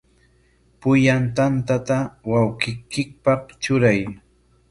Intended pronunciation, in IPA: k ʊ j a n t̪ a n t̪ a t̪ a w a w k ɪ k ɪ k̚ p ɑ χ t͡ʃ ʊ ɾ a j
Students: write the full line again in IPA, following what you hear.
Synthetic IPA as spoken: p ʊ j a n t̪ a n t̪ a t̪ a w a w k ɪ k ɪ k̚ p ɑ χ t͡ʃ ʊ ɾ a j